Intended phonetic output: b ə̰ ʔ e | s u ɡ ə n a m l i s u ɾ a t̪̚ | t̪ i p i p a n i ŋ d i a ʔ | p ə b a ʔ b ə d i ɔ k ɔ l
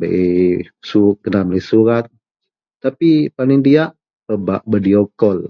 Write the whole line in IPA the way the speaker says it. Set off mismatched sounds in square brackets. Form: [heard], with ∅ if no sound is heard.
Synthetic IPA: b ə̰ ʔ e | s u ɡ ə n a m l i s u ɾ a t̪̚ | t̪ [a] p i p a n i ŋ d i a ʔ | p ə b a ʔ b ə d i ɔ k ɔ l